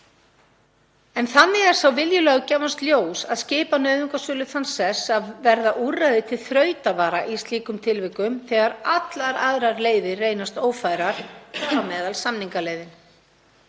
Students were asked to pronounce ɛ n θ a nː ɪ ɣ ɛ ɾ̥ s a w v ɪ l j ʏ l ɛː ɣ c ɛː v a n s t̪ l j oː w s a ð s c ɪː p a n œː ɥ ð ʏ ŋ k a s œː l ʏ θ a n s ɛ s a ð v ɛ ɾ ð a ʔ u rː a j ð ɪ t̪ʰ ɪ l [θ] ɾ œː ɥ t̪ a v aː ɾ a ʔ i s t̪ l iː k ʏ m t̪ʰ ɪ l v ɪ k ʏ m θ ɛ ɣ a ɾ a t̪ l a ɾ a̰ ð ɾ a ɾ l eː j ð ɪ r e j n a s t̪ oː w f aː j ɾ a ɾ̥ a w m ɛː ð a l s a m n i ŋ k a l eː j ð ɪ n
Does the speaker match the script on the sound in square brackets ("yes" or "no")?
yes